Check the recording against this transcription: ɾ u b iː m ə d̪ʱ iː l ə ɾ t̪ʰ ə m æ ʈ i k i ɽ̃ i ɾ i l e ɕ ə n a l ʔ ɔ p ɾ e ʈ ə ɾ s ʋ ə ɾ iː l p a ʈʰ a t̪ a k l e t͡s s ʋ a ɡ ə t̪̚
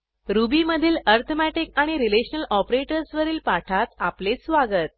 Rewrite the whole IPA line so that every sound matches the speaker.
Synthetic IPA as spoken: ɾ u b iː m ə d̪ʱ iː l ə ɾ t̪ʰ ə m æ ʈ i k a ɽ̃ i ɾ i l e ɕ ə n ə l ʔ ɔ p ɾ e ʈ ə ɾ s ʋ ə ɾ iː l p a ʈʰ a t̪ a p l e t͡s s ʋ a ɡ ə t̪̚